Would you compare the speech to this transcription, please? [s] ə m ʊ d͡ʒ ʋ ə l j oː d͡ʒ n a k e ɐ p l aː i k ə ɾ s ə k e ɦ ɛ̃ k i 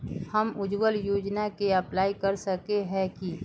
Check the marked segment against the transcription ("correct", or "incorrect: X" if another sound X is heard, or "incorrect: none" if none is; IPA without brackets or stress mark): incorrect: h